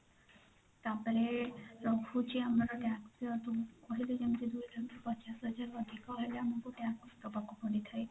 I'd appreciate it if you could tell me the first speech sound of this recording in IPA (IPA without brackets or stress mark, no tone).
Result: t̪